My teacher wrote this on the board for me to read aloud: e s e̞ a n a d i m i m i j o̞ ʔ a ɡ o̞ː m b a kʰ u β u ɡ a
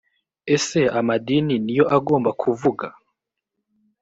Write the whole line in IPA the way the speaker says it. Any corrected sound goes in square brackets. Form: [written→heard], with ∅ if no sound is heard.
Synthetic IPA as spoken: e s e̞ a [n→m] a d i [m→n] i [m→n] i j o̞ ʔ a ɡ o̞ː m b a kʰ u [β→v] u ɡ a